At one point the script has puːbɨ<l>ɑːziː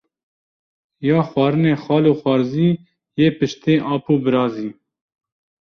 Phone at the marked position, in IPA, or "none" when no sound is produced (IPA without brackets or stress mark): ɾ